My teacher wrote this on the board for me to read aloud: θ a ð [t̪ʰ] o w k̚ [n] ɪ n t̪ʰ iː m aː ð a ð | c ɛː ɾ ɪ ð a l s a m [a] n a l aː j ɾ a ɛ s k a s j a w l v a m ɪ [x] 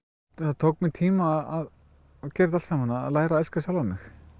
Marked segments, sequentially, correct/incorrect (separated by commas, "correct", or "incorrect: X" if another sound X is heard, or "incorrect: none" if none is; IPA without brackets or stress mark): correct, incorrect: m, correct, correct